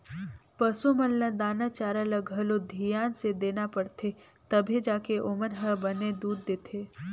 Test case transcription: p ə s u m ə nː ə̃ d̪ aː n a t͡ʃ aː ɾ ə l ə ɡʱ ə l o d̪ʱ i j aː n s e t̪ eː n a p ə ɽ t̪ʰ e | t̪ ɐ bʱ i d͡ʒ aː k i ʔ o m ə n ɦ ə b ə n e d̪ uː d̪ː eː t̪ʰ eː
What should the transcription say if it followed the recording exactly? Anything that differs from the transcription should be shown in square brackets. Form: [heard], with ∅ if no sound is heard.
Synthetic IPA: p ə s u m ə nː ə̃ d̪ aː n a t͡ʃ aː ɾ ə l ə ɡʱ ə l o d̪ʱ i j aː n s e [d̪] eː n a p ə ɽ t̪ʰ e | t̪ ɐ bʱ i d͡ʒ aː k [e] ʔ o m ə n ɦ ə b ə n e d̪ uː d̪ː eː t̪ʰ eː